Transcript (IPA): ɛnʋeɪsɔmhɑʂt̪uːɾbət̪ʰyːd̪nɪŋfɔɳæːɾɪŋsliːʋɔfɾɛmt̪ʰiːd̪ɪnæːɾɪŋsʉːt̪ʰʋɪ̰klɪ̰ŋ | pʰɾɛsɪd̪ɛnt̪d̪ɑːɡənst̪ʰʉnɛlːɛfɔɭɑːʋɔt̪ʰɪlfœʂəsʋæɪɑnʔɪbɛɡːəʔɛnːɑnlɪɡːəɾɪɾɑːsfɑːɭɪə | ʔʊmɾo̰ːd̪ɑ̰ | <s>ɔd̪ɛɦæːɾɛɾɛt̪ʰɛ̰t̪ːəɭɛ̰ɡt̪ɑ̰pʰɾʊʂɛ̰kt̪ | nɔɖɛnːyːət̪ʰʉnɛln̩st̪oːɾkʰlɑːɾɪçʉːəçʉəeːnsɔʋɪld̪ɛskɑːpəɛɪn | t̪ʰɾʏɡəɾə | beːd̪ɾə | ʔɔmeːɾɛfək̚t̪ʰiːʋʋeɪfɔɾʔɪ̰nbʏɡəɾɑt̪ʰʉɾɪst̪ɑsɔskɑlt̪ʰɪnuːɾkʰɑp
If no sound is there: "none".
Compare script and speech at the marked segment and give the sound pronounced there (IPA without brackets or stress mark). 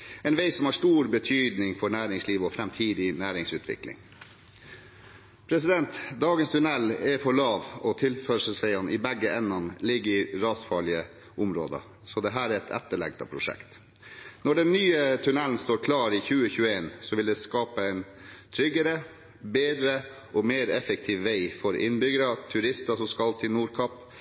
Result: s